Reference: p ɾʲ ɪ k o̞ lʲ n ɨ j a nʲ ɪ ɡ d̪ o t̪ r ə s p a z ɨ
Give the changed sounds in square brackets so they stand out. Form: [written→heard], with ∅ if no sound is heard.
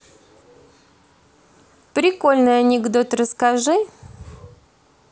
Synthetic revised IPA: p ɾʲ ɪ k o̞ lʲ n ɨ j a nʲ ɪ ɡ d̪ o t̪ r ə s [p→k] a [z→ʐ] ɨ